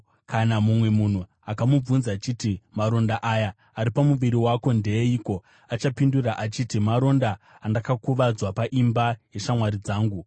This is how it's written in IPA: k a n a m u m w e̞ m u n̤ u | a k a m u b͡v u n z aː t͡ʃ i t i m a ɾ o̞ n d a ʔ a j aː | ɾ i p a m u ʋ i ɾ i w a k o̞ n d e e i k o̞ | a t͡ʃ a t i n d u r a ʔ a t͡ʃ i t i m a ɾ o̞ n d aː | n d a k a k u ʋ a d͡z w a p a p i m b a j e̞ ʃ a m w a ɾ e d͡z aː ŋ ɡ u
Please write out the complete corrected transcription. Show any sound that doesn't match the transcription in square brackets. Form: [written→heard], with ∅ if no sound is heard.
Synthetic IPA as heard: k a n a m u m w e̞ m u n̤ u | a k a m u b͡v u n z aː t͡ʃ i t i m a ɾ o̞ n d a ʔ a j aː | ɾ i p a m u ʋ i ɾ i w a k o̞ n d e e i k o̞ | a t͡ʃ a [t→p] i n d u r a ʔ a t͡ʃ i t i m a ɾ o̞ n d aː | n d a k a k u ʋ a d͡z w a p a [p→ʔ] i m b a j e̞ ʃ a m w a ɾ [e→i] d͡z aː ŋ ɡ u

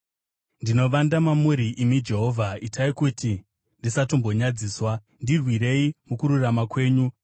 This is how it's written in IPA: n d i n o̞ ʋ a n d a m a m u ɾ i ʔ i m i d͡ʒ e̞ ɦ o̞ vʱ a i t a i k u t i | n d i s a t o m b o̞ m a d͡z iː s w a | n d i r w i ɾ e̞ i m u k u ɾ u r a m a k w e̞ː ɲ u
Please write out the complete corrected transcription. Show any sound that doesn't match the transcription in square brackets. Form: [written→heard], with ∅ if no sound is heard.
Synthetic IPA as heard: n d i n o̞ ʋ a n d a m a m u ɾ i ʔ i m i d͡ʒ e̞ ɦ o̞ vʱ a i t a i k u t i | n d i s a t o m b o̞ [m→ɲ] a d͡z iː s w a | n d i r w i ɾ e̞ i m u k u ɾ u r a m a k w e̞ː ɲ u

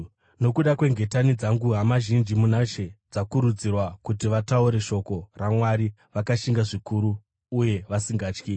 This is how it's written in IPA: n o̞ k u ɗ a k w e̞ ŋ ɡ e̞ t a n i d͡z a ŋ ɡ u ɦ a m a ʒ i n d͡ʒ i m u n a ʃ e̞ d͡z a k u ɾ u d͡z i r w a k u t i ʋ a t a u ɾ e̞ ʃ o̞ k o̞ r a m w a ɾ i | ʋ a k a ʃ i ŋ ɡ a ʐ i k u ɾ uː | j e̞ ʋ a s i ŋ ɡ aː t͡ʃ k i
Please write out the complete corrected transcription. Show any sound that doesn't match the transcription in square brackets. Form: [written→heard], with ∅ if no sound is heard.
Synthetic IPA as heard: n o̞ k u ɗ a k w e̞ ŋ ɡ e̞ t a n i d͡z a ŋ ɡ u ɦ a m a ʒ i n d͡ʒ i m u n a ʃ e̞ d͡z a k u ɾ u d͡z i r w a k u t i ʋ a t a u ɾ e̞ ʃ o̞ k o̞ r a m w a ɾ i | ʋ a k a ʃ i ŋ ɡ a ʐ i k u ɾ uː | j e̞ ʋ a s i ŋ ɡ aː t͡ʃ k i

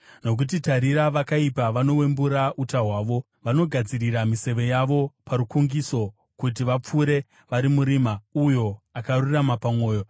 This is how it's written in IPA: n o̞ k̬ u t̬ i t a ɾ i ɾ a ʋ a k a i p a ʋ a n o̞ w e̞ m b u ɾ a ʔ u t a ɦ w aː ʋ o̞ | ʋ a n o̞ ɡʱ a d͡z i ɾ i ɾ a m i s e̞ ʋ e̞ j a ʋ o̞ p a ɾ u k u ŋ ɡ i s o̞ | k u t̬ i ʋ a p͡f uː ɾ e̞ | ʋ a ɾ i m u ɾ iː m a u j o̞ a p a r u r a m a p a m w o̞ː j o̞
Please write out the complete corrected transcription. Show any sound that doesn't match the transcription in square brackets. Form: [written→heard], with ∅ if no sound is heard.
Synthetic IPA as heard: n o̞ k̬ u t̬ i t a ɾ i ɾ a ʋ a k a i p a ʋ a n o̞ w e̞ m b u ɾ a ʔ u t a ɦ w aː ʋ o̞ | ʋ a n o̞ ɡʱ a d͡z i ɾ i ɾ a m i s e̞ ʋ e̞ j a ʋ o̞ p a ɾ u k u ŋ ɡ i s o̞ | k u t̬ i ʋ a p͡f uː ɾ e̞ | ʋ a ɾ i m u ɾ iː m a u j o̞ a [p→k] a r u r a m a p a m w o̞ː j o̞

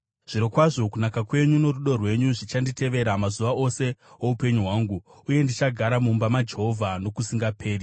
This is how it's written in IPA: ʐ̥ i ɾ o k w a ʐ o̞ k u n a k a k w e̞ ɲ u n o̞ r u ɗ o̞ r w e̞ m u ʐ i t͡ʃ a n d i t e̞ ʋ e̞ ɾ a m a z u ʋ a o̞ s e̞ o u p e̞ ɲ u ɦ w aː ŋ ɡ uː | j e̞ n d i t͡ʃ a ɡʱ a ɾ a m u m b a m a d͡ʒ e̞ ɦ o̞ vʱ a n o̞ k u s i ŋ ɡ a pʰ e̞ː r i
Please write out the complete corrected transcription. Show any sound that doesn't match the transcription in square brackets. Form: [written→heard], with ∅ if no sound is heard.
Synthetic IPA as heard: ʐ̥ i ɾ o k w a ʐ o̞ k u n a k a k w e̞ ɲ u n o̞ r u ɗ o̞ r w e̞ [m→ɲ] u ʐ i t͡ʃ a n d i t e̞ ʋ e̞ ɾ a m a z u ʋ a o̞ s e̞ o u p e̞ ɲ u ɦ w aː ŋ ɡ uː | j e̞ n d i t͡ʃ a ɡʱ a ɾ a m u m b a m a d͡ʒ e̞ ɦ o̞ vʱ a n o̞ k u s i ŋ ɡ a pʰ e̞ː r i

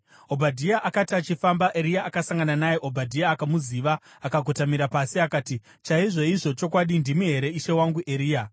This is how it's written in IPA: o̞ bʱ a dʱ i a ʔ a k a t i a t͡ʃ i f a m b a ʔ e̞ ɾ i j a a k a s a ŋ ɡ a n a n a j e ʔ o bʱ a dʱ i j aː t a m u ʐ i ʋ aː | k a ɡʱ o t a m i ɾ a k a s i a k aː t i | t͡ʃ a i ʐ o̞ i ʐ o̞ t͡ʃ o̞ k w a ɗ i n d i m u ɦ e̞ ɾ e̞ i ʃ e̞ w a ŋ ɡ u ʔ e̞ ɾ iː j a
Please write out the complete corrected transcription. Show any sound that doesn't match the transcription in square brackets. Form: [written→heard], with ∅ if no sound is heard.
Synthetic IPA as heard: o̞ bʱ a dʱ i a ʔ a k a t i a t͡ʃ i f a m b a ʔ e̞ ɾ i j a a k a s a ŋ ɡ a n a n a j e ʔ o bʱ a dʱ i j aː [t→k] a m u [ʐ→z] i ʋ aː | k a ɡʱ o t a m i ɾ a [k→p] a s i a k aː t i | t͡ʃ a i ʐ o̞ i ʐ o̞ t͡ʃ o̞ k w a ɗ i n d i m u ɦ e̞ ɾ e̞ i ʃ e̞ w a ŋ ɡ u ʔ e̞ ɾ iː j a

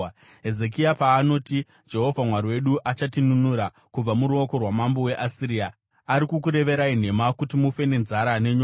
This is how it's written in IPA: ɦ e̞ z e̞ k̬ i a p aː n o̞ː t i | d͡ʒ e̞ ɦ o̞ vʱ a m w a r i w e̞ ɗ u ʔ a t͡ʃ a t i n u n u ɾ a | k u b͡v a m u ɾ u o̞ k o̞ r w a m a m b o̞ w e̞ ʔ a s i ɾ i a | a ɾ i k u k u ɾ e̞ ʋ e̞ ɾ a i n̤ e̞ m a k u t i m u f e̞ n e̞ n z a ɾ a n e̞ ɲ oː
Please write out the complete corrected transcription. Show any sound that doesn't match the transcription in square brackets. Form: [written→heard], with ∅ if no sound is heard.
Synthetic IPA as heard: ɦ e̞ z e̞ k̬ i a p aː n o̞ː t i | d͡ʒ e̞ ɦ o̞ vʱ a m w a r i w e̞ ɗ u ʔ a t͡ʃ a t i n u n u ɾ a | k u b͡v a m u ɾ u o̞ k o̞ r w a m a m b o̞ w e̞ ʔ a s i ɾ i a | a ɾ i k u k u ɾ e̞ ʋ e̞ ɾ a i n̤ e̞ m a k u t i m u f e̞ n e̞ n z a ɾ a n e̞ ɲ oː

